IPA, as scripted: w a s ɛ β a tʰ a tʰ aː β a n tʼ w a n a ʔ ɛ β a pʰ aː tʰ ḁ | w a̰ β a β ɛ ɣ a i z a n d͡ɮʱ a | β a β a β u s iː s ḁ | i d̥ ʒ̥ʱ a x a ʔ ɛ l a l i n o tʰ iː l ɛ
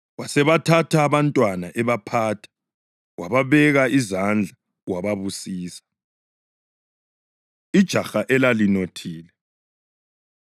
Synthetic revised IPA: w a s ɛ β a tʰ a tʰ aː β a n tʼ w a n a ʔ ɛ β a pʰ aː tʰ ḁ | w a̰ β a β ɛ ɣ a i z a n d͡ɮʱ a | w a β a β u s iː s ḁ | i d̥ ʒ̥ʱ a x a ʔ ɛ l a l i n o tʰ iː l ɛ